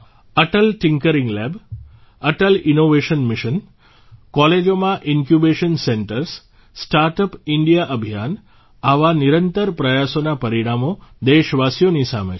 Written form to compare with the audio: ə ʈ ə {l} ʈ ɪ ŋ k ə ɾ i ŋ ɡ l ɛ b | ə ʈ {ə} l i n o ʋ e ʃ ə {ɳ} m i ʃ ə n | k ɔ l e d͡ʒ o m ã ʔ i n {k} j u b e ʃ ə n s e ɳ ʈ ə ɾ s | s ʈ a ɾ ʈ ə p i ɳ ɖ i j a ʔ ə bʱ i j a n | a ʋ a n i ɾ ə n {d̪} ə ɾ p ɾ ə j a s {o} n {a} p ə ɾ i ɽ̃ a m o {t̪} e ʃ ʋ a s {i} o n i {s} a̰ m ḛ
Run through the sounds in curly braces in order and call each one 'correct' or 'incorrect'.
correct, correct, incorrect: n, correct, incorrect: t̪, correct, correct, incorrect: d̪, incorrect: j, correct

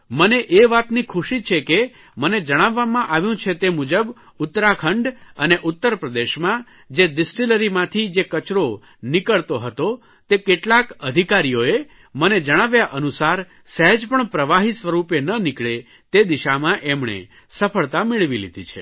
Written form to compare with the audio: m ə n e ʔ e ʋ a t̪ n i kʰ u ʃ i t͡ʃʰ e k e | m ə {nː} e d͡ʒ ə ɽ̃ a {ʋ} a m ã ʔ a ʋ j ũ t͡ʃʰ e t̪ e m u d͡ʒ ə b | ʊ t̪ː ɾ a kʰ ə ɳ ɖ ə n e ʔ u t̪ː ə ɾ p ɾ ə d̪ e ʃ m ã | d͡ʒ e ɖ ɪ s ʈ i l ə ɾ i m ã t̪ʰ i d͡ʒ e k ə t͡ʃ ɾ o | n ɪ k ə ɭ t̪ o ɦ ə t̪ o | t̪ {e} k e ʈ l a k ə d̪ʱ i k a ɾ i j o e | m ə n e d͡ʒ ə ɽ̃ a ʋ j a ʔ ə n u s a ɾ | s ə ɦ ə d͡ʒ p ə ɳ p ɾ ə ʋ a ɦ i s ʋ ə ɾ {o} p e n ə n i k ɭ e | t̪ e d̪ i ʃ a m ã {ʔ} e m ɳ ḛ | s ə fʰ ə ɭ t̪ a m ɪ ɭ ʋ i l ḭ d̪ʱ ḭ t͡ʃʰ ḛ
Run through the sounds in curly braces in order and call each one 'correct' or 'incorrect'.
incorrect: n, incorrect: ʋː, correct, incorrect: u, correct

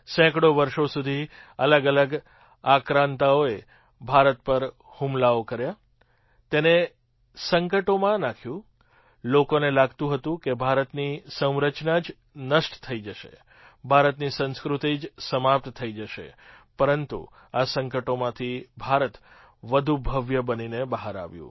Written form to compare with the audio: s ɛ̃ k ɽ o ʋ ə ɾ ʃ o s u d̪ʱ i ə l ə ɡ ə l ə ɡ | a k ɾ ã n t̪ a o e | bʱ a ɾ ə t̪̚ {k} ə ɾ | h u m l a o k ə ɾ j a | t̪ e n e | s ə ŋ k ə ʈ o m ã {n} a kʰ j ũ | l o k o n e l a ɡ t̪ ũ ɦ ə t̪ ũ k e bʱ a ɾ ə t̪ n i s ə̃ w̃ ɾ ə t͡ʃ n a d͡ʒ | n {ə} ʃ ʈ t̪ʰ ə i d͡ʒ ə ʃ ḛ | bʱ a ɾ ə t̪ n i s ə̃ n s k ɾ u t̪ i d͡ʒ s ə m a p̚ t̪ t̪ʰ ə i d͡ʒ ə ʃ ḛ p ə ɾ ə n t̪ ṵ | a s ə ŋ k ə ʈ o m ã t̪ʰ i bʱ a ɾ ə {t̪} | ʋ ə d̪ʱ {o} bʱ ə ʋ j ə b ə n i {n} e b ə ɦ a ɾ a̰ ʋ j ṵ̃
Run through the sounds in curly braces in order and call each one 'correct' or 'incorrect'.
incorrect: p, correct, correct, correct, incorrect: u, correct

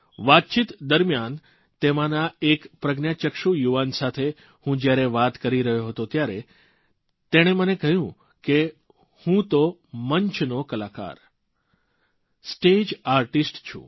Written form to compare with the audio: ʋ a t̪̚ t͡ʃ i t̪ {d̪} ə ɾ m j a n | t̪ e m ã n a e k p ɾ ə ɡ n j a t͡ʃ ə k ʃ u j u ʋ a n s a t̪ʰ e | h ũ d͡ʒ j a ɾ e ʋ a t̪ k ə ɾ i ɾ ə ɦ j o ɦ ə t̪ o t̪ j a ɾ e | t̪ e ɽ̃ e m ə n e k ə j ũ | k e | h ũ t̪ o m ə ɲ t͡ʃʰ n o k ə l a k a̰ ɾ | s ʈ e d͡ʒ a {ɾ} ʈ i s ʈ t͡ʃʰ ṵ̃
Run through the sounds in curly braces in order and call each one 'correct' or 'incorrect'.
correct, correct

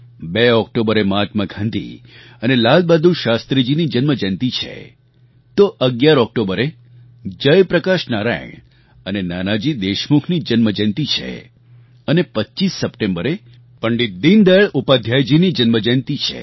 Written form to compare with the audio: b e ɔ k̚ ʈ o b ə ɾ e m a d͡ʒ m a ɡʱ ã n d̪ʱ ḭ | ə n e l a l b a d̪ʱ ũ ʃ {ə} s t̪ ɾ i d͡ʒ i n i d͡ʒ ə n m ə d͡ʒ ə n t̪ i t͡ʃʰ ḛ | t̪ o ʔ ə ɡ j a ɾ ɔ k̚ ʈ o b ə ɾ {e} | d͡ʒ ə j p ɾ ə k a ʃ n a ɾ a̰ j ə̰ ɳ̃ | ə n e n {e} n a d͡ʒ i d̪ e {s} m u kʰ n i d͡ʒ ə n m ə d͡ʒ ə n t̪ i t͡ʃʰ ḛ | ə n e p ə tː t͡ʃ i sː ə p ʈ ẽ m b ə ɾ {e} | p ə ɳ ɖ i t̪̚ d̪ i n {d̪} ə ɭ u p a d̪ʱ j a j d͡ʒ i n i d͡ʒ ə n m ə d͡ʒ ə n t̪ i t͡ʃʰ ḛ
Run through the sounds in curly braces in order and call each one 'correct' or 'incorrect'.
incorrect: a, correct, incorrect: a, incorrect: ʃ, correct, correct

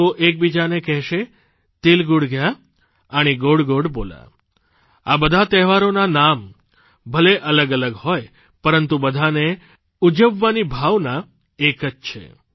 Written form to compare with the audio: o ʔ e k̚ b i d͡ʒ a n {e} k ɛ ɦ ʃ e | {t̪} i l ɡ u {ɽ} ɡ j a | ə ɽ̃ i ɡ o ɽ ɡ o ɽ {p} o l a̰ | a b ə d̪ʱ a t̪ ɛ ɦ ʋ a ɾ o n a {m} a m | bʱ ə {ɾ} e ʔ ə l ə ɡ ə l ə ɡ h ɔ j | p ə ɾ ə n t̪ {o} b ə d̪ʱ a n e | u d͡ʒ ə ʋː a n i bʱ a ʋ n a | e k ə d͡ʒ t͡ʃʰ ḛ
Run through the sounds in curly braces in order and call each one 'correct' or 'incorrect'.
correct, correct, correct, incorrect: b, incorrect: n, incorrect: l, incorrect: u

